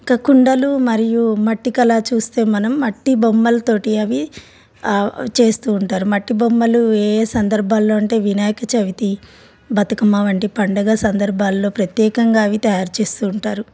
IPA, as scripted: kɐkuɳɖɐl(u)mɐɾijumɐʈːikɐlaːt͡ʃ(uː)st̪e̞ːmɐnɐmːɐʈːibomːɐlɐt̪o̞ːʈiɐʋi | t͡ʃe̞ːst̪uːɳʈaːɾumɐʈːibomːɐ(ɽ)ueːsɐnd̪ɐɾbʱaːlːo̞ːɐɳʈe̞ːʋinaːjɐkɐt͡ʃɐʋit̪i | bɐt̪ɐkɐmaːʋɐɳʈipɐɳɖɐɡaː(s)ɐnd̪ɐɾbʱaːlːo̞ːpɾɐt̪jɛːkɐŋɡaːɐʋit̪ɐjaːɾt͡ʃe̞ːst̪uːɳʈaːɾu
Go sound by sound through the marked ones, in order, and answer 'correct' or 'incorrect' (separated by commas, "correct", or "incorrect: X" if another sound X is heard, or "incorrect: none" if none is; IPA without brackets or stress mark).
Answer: correct, correct, incorrect: l, correct